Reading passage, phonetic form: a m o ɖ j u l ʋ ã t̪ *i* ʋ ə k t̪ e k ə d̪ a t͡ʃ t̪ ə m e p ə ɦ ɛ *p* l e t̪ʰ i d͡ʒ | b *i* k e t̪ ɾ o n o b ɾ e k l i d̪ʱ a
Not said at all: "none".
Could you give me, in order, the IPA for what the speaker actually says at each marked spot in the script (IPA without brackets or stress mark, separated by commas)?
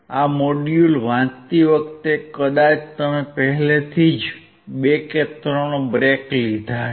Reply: i, none, e